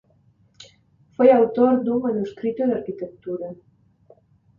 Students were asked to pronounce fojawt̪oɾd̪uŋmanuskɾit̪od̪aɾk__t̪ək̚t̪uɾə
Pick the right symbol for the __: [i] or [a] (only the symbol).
i